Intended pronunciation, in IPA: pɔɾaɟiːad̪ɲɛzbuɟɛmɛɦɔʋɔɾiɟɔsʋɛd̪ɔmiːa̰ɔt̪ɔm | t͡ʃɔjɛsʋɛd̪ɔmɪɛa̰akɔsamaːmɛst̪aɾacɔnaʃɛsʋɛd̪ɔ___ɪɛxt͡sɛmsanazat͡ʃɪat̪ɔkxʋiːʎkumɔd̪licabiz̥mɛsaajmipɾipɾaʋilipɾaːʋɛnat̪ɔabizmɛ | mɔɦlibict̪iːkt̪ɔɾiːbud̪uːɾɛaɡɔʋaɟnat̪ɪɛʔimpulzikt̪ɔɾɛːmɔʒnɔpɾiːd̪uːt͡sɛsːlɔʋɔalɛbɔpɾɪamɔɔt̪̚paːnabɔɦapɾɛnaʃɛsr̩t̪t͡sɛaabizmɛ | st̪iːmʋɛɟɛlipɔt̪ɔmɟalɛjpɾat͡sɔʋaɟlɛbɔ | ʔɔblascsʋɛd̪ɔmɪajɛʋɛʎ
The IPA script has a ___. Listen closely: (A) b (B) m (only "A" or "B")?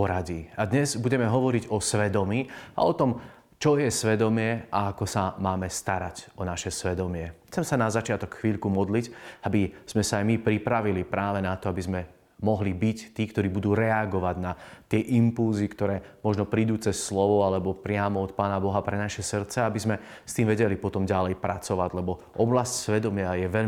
B